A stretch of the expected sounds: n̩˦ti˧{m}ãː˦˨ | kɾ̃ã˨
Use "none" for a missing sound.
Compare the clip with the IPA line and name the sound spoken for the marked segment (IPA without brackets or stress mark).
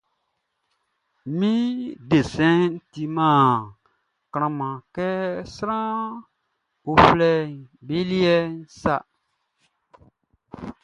m